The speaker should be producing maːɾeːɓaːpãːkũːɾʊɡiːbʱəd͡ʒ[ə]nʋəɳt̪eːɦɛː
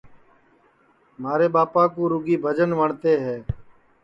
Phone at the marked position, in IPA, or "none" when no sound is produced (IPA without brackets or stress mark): ə